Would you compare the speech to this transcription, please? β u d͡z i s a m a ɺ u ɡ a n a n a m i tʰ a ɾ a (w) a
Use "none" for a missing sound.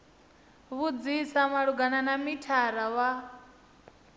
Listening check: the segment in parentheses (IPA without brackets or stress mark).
w